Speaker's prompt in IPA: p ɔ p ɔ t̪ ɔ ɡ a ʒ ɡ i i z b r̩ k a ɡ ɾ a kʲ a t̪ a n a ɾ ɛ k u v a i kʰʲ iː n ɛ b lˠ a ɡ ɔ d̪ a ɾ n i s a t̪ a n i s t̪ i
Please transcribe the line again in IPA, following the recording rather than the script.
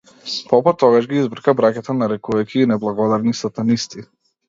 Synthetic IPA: p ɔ p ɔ t̪ ɔ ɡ a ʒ ɡ i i z b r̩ k a b ɾ a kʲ a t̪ a n a ɾ ɛ k u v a j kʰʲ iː n ɛ b lˠ a ɡ ɔ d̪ a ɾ n i s a t̪ a n i s t̪ i